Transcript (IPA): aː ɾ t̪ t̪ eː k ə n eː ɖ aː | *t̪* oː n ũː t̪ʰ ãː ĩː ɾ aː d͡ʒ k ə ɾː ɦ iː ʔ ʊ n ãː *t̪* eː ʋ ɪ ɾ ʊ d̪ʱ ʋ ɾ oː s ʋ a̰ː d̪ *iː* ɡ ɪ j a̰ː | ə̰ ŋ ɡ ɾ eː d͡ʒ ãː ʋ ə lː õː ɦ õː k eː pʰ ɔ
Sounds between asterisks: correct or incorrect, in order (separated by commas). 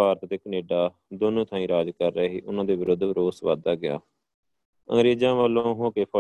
incorrect, incorrect, incorrect